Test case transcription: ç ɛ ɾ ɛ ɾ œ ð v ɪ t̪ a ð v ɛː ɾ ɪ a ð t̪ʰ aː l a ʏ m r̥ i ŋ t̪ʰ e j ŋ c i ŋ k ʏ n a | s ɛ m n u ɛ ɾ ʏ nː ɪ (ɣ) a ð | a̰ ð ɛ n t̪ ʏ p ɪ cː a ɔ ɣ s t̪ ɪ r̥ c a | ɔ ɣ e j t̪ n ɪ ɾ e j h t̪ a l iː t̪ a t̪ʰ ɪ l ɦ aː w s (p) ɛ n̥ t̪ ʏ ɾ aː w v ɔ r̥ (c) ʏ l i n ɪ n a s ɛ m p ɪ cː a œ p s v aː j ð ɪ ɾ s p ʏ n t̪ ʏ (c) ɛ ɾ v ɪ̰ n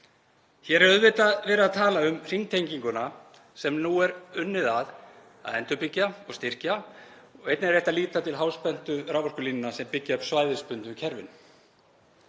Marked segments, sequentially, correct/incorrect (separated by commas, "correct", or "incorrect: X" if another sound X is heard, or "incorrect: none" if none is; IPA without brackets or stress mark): incorrect: ð, correct, incorrect: k, incorrect: cʰ